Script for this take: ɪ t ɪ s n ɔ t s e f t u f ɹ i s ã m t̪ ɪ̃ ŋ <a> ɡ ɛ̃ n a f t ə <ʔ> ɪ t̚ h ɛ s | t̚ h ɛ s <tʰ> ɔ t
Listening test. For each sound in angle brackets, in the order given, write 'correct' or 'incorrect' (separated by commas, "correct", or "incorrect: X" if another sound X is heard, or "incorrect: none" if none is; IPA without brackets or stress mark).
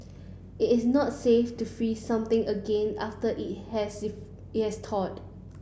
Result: incorrect: ə, correct, correct